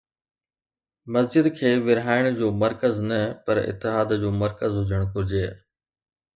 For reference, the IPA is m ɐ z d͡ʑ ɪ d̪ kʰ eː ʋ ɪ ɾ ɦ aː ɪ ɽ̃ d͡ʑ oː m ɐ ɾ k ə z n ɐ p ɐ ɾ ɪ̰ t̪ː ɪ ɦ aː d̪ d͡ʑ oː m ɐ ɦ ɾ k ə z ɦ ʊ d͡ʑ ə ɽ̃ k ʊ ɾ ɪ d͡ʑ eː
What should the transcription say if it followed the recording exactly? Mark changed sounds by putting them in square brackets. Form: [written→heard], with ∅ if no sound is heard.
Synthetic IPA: m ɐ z d͡ʑ ɪ d̪ kʰ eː ʋ ɪ ɾ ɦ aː ɪ ɽ̃ d͡ʑ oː m ɐ ɾ k ə z n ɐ p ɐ ɾ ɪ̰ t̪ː ɪ ɦ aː d̪ d͡ʑ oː m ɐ [ɦ→∅] ɾ k ə z ɦ ʊ d͡ʑ ə ɽ̃ k ʊ ɾ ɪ d͡ʑ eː

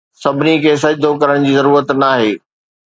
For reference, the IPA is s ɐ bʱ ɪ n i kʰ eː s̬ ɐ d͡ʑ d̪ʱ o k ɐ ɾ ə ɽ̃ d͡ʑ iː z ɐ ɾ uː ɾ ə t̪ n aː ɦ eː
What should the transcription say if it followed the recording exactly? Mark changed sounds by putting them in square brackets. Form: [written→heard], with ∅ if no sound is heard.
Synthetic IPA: s ɐ bʱ ɪ n i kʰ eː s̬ ɐ d͡ʑ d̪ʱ o k ɐ ɾ ə ɽ̃ d͡ʑ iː z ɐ ɾ uː ɾ ə t̪ n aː ɦ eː

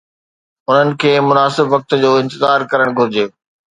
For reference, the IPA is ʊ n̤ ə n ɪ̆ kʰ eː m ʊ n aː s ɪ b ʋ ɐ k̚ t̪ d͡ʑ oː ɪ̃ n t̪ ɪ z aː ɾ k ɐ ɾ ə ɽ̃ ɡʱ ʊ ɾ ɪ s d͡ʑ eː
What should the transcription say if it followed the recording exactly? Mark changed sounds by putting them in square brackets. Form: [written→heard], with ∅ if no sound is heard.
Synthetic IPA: ʊ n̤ ə n ɪ̆ kʰ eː m ʊ n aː s ɪ b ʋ ɐ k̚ t̪ d͡ʑ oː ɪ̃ n t̪ ɪ z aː ɾ k ɐ ɾ ə ɽ̃ ɡʱ ʊ ɾ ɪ [s→∅] d͡ʑ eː

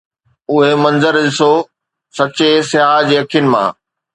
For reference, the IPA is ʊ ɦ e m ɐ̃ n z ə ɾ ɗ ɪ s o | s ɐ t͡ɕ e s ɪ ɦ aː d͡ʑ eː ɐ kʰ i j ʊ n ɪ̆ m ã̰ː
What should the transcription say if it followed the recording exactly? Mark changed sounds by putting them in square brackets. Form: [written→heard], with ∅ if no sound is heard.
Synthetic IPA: ʊ ɦ e m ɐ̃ n z ə ɾ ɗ ɪ s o | s ɐ t͡ɕ e s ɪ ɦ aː d͡ʑ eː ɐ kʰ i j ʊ n ɪ̆ m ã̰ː

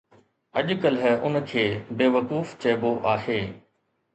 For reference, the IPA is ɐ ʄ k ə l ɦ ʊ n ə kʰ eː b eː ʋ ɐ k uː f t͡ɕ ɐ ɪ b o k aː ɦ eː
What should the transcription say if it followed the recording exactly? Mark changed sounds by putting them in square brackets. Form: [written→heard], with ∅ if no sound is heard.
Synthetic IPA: ɐ ʄ k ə l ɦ ʊ n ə kʰ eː b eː ʋ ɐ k uː f t͡ɕ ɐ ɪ b o [k→ʔ] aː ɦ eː

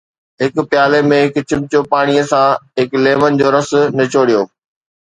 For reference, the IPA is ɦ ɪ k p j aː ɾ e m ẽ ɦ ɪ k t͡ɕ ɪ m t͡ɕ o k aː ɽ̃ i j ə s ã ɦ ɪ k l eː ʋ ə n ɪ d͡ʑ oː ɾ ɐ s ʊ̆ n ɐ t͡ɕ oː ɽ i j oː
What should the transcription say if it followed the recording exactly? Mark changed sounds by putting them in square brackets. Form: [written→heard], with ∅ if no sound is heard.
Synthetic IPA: ɦ ɪ k p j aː [ɾ→l] e m ẽ ɦ ɪ k t͡ɕ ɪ m t͡ɕ o [k→p] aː ɽ̃ i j ə s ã ɦ ɪ k l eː ʋ ə n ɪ d͡ʑ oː ɾ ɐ s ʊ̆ n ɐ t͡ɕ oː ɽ i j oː

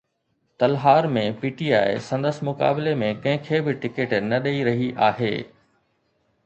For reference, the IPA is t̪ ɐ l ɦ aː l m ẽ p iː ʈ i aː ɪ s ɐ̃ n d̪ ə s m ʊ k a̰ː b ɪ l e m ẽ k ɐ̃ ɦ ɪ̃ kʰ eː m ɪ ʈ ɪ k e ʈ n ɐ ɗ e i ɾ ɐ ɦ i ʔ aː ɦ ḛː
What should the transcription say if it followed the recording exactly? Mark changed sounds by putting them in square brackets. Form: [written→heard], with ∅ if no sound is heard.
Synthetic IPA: t̪ ɐ l ɦ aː [l→ɾ] m ẽ p iː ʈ i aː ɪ s ɐ̃ n d̪ ə s m ʊ k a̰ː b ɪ l e m ẽ k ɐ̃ ɦ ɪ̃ kʰ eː [m→b] ɪ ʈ ɪ k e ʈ n ɐ ɗ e i ɾ ɐ ɦ i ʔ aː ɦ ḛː

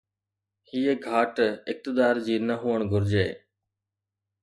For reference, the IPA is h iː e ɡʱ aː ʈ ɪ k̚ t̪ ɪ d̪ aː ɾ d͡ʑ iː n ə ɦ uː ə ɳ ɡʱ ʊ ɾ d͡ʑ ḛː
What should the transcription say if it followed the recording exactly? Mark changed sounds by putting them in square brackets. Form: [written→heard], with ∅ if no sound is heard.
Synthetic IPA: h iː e ɡʱ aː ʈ ɪ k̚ t̪ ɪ d̪ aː ɾ d͡ʑ iː n ə ɦ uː ə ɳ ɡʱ ʊ ɾ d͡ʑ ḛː

